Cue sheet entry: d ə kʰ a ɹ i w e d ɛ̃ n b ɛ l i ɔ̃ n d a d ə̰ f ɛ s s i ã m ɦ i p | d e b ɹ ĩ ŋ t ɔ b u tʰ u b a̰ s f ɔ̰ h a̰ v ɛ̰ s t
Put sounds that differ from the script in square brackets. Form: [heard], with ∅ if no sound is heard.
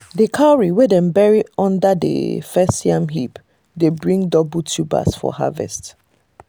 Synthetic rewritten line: d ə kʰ a ɹ i w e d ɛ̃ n b ɛ [ɹ] i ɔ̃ n d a d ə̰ f ɛ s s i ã m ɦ i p | d e b ɹ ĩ ŋ [d] ɔ b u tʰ u b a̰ s f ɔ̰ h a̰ v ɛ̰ s t